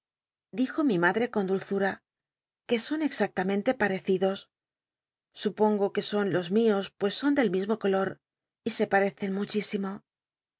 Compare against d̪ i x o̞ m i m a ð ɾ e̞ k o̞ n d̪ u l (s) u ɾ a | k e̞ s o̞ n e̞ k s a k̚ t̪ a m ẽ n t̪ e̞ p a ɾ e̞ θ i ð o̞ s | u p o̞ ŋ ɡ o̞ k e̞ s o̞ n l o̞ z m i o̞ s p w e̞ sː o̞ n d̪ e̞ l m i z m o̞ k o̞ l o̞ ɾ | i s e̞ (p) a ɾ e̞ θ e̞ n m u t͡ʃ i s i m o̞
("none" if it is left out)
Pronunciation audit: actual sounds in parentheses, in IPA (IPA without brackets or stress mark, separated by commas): θ, p